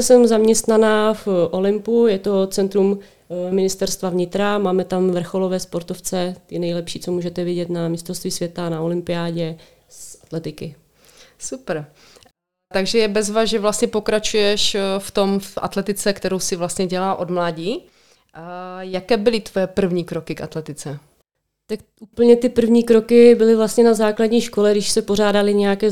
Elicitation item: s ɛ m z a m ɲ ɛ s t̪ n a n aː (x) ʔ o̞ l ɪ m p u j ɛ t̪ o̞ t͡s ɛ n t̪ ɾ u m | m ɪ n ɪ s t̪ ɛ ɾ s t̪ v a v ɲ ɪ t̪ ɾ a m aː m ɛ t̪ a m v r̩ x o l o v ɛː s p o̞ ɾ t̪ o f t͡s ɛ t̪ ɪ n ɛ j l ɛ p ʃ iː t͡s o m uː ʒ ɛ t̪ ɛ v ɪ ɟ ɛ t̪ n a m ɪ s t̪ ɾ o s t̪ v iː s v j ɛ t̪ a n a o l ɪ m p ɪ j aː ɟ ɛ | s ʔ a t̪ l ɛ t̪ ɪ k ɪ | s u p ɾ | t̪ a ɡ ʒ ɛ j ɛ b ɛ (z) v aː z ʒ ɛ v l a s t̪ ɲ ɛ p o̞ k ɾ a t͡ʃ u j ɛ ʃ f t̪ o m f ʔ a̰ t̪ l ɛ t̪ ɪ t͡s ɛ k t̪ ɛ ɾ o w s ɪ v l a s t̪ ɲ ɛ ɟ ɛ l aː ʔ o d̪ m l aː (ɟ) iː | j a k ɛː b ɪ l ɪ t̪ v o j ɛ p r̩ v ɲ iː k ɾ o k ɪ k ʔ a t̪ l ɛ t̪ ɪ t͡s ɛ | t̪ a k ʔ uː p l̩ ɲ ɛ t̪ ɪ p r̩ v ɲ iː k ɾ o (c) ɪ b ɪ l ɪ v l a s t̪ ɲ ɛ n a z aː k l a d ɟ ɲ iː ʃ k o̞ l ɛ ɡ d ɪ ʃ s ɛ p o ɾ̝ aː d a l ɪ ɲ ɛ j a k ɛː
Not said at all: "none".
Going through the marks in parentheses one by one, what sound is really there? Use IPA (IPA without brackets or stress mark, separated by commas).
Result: f, z, ɟ, k